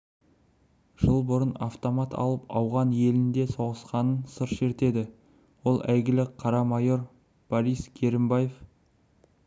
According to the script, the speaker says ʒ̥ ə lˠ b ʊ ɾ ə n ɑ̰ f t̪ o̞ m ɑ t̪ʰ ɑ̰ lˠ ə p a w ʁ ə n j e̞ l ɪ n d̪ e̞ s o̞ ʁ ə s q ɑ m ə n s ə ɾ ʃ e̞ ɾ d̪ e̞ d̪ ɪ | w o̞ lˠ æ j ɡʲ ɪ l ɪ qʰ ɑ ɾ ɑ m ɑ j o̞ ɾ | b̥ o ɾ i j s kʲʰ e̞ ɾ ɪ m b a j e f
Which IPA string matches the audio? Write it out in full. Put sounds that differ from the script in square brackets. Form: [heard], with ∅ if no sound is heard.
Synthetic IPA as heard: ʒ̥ ə lˠ b ʊ ɾ ə n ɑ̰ f t̪ o̞ m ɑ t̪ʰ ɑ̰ lˠ ə p [ɑ] w ʁ [ɑ] n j e̞ l ɪ n d̪ e̞ s o̞ ʁ ə s q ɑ [n] ə n s ə ɾ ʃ e̞ ɾ [t̪] e̞ d̪ ɪ | w o̞ lˠ æ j ɡʲ ɪ l ɪ qʰ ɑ ɾ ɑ m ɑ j o̞ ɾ | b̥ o ɾ i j s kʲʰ e̞ ɾ ɪ m b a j e f